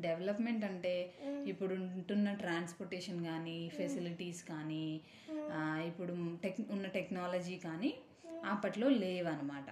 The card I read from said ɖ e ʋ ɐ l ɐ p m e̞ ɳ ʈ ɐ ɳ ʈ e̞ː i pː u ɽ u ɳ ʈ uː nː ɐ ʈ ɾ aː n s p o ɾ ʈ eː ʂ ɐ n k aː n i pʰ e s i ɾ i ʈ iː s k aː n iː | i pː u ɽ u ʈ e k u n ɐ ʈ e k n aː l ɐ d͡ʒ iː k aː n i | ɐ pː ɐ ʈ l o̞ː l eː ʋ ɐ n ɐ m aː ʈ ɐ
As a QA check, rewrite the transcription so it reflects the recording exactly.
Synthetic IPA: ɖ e ʋ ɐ l ɐ p m e̞ ɳ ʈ ɐ ɳ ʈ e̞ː i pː u ɽ u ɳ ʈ u nː ɐ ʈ ɾ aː n s p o ɾ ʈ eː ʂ ɐ n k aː n i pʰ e s i l i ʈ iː s k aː n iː | i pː u ɽ u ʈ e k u nː ɐ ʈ e k n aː l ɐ d͡ʒ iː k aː n i | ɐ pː ɐ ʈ l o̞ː l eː ʋ ɐ n ɐ m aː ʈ ɐ